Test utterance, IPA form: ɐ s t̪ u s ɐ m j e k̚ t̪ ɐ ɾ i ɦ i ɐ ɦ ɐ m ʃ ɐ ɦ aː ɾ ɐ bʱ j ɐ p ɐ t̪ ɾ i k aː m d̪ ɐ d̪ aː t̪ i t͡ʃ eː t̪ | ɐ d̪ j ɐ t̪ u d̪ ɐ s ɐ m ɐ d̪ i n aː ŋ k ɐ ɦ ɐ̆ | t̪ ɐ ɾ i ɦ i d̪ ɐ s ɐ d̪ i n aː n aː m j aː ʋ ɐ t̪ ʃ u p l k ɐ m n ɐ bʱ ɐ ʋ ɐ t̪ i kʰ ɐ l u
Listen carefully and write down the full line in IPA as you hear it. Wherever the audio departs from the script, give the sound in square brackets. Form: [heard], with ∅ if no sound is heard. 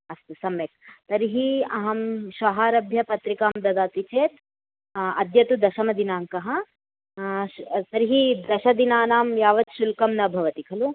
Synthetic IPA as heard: ɐ s t̪ u s ɐ m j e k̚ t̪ ɐ ɾ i ɦ i ɐ ɦ ɐ m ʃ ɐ ɦ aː ɾ ɐ bʱ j ɐ p ɐ t̪ ɾ i k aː m d̪ ɐ d̪ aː t̪ i t͡ʃ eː t̪ | ɐ d̪ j ɐ t̪ u d̪ ɐ [ʃ] ɐ m ɐ d̪ i n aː ŋ k ɐ ɦ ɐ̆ | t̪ ɐ ɾ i ɦ i d̪ ɐ [ʃ] ɐ d̪ i n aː n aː m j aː ʋ ɐ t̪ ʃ u [∅] l k ɐ m n ɐ bʱ ɐ ʋ ɐ t̪ i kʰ ɐ l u